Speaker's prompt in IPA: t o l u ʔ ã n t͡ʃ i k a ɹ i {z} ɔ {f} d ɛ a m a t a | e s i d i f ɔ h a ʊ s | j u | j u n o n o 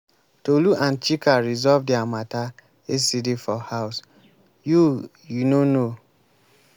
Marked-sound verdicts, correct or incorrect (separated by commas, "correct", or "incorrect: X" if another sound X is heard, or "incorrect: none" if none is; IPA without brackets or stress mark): correct, incorrect: v